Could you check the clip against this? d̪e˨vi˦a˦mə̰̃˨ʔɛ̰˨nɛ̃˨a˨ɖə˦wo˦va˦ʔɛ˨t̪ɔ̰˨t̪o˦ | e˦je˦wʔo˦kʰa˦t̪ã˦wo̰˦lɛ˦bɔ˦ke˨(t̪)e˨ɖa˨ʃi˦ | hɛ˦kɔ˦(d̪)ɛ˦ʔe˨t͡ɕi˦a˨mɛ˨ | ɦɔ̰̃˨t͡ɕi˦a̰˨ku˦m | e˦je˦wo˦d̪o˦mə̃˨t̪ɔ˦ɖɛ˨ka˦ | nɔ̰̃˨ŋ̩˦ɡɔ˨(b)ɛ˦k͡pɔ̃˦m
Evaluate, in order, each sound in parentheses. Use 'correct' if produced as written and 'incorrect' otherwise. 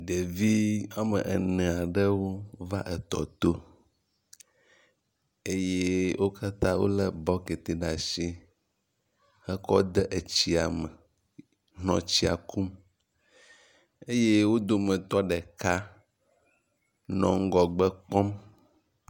correct, correct, incorrect

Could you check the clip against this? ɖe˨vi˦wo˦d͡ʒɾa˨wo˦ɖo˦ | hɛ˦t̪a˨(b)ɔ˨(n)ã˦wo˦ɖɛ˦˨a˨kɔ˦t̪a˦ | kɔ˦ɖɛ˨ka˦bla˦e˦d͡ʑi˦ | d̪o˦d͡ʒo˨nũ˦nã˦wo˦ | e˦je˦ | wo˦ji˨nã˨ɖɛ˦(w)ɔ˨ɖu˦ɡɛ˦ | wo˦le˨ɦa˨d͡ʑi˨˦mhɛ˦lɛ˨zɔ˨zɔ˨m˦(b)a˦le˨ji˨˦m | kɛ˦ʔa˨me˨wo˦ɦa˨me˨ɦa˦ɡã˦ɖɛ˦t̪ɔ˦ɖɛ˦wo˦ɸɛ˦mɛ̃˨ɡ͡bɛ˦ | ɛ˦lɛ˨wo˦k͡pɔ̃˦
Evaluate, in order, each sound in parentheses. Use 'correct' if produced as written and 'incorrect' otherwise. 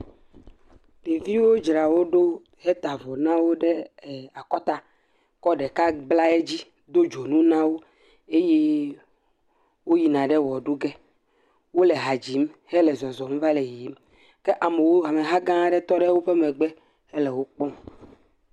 incorrect, correct, correct, incorrect

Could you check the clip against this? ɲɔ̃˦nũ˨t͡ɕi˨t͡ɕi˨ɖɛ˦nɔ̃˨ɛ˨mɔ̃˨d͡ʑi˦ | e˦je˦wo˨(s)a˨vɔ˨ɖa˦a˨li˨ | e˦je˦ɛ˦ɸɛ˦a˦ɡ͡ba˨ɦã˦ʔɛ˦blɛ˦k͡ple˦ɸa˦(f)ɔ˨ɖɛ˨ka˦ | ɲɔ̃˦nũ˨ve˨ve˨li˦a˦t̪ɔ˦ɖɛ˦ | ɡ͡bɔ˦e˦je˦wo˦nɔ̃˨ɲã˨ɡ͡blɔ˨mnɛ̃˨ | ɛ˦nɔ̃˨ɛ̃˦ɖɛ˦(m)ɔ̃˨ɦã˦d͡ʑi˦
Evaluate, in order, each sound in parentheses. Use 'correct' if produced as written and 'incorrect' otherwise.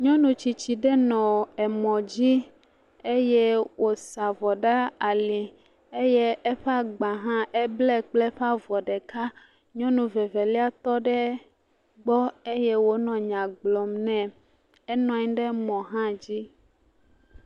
correct, incorrect, correct

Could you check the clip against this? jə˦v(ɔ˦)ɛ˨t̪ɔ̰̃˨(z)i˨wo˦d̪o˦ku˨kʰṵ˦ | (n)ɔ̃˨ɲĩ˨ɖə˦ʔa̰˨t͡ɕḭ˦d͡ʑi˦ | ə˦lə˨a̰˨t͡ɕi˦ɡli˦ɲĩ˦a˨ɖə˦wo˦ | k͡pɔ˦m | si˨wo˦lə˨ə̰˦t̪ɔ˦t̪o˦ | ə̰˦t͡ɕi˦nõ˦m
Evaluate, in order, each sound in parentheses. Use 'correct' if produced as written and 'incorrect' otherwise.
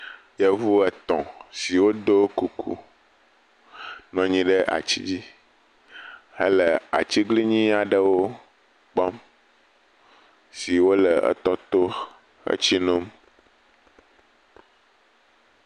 incorrect, incorrect, correct

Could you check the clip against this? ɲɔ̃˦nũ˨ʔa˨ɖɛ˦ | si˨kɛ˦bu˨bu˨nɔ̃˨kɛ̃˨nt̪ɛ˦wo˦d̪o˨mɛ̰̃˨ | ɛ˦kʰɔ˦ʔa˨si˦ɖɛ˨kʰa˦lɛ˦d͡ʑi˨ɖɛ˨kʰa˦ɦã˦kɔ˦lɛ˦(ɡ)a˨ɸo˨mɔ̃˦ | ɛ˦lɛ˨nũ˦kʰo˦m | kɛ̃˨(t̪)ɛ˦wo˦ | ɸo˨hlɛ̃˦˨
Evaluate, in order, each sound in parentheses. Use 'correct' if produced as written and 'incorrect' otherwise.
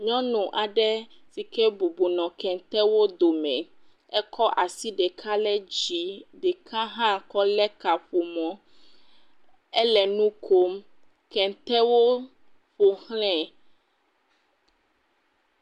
incorrect, correct

